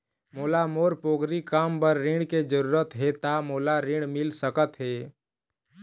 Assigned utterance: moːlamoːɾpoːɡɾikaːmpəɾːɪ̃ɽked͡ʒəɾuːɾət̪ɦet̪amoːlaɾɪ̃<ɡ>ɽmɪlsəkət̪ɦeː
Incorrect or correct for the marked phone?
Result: incorrect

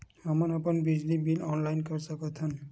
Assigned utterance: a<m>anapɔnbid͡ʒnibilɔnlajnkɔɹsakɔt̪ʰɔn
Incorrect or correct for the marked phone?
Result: correct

